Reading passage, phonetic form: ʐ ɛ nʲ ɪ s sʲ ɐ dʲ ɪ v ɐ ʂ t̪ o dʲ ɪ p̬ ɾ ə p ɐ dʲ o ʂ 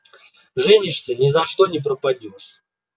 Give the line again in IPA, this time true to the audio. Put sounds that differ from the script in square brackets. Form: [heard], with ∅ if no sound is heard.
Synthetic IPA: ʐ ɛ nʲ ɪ [ʂ] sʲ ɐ [nʲ] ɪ [z] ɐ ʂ t̪ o [nʲ] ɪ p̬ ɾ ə p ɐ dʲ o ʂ